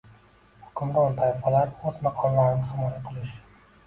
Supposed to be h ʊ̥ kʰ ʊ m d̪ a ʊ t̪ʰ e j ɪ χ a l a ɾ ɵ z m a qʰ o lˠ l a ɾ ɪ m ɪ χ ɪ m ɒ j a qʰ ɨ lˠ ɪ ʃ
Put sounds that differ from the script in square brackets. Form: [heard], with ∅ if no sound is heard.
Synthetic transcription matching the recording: h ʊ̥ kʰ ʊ m d̪ a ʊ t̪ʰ [a] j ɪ [f] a l a ɾ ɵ z m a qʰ [ɒ] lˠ l a ɾ ɪ [n] ɪ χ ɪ m ɒ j a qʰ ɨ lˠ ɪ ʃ